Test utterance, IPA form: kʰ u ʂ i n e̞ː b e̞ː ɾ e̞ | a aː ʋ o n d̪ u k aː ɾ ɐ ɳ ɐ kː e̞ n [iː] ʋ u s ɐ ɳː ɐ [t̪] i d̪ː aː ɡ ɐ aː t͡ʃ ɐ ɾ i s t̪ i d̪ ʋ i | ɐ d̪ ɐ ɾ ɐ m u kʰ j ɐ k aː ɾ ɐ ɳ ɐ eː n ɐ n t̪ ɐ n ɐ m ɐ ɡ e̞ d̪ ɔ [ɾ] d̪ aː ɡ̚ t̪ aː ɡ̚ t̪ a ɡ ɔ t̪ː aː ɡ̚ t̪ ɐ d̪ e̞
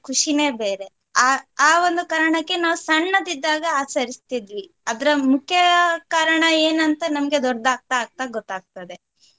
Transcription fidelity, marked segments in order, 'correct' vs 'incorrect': incorrect, incorrect, correct

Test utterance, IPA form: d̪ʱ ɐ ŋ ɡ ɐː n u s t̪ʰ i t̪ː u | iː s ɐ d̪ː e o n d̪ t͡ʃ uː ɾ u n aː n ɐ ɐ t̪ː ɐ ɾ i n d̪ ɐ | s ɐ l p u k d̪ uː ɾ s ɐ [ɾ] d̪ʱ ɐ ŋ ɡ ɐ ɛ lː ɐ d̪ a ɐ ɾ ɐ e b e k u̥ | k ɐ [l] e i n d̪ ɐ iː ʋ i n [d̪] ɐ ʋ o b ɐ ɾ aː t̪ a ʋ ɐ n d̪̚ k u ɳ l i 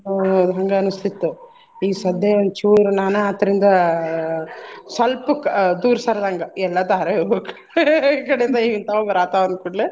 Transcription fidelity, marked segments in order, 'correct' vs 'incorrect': correct, incorrect, incorrect

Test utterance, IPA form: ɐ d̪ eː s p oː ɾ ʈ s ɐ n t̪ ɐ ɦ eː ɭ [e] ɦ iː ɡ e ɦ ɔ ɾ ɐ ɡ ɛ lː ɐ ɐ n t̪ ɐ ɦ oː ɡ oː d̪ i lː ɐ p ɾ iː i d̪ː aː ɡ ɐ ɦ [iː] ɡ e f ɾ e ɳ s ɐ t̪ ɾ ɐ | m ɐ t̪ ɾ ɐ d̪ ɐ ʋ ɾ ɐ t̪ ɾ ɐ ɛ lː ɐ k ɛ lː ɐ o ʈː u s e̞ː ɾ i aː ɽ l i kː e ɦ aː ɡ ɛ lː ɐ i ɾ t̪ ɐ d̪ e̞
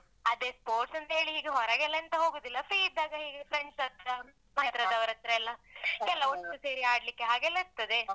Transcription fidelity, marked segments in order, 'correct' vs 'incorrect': incorrect, correct

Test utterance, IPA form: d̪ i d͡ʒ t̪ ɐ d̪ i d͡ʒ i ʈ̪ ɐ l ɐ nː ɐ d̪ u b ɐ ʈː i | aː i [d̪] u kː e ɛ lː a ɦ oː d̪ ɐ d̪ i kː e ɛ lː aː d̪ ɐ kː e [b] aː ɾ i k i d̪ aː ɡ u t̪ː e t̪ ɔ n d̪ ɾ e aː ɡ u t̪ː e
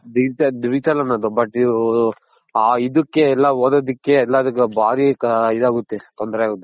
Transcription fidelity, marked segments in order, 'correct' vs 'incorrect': correct, correct

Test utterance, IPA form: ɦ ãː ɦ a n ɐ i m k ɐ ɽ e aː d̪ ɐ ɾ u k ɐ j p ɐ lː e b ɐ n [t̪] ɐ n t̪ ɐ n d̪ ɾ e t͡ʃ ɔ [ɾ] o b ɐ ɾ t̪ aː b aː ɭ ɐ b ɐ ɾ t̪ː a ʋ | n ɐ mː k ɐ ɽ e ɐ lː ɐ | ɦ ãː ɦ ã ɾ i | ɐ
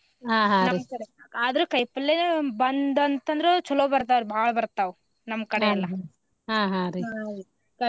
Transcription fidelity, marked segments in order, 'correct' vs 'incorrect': incorrect, incorrect

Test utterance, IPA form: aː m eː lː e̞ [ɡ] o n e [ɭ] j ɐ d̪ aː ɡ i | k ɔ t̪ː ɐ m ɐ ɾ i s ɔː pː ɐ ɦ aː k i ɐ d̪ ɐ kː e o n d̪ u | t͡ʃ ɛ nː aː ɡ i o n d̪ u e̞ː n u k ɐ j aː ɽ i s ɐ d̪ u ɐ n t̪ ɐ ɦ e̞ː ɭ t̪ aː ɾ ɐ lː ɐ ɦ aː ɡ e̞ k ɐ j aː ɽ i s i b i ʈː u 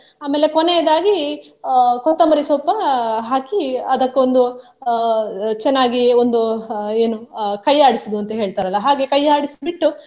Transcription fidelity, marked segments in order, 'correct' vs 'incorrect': incorrect, incorrect

